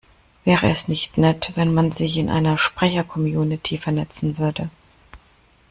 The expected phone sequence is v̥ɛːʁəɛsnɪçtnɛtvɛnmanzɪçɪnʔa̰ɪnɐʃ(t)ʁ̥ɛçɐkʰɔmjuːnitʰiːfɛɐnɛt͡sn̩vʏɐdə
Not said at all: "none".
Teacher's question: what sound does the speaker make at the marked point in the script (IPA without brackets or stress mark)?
p